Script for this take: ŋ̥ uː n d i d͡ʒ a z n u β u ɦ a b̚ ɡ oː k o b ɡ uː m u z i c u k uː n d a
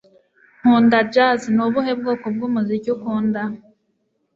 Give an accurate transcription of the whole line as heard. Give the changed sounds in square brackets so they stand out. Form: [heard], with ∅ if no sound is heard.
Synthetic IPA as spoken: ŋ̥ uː n d [a] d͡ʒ a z n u β u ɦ [e] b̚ ɡ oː k o b ɡ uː m u z i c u k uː n d a